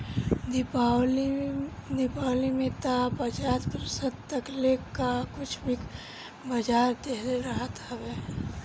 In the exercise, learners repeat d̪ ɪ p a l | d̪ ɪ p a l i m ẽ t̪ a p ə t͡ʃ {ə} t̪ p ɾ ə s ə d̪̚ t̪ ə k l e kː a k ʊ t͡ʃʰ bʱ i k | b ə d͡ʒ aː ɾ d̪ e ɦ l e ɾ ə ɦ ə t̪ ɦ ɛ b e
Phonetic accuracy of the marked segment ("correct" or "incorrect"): incorrect